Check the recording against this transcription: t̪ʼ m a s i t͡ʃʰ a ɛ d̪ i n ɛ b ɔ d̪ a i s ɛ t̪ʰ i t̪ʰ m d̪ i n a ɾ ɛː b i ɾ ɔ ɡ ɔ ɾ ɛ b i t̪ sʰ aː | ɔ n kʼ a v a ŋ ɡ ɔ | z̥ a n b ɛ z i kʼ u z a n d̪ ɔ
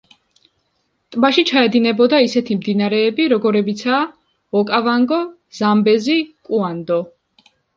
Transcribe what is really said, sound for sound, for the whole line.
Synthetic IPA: t̪ʼ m a ʃ i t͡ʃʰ a ɛ d̪ i n ɛ b ɔ d̪ a i s ɛ t̪ʰ i m d̪ i n a ɾ ɛː b i ɾ ɔ ɡ ɔ ɾ ɛ b i t̪ sʰ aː | ɔ kʼ a v a ŋ ɡ ɔ | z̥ a m b ɛ z i kʼ u a n d̪ ɔ